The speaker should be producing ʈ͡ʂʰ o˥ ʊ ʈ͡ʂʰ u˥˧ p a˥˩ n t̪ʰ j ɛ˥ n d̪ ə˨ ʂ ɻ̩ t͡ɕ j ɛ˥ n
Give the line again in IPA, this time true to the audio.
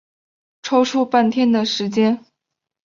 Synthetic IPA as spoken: ʈ͡ʂʰ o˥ ʊ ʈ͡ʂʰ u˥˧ p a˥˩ n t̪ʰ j ɛ˥ n d̪ ə˨ ʂ ɻ̩ t͡ɕ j ɛ˥ n